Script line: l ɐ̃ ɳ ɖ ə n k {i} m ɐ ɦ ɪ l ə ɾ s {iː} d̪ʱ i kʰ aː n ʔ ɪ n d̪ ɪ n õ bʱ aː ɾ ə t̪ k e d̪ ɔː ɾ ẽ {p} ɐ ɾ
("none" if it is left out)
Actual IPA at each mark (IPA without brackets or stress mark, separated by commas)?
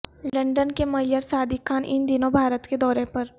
e, aː, p